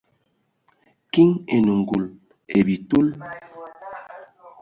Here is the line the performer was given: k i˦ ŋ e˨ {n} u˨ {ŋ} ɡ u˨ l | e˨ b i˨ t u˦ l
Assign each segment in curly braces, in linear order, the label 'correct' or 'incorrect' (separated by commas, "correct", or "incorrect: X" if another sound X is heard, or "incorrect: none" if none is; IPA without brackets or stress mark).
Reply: correct, correct